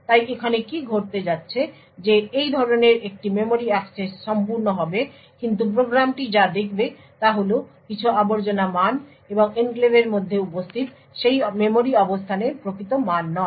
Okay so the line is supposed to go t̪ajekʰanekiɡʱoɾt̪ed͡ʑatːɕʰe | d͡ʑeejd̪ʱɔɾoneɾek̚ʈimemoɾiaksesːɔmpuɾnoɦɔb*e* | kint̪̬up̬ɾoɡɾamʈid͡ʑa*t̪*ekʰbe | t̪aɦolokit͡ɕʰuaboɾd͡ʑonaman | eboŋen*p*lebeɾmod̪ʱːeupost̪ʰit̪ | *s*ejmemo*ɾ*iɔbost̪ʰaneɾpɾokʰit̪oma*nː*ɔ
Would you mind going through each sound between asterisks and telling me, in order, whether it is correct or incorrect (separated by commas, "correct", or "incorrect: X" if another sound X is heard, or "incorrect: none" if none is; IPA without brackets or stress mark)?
correct, incorrect: d̪, incorrect: k, incorrect: ʃ, correct, correct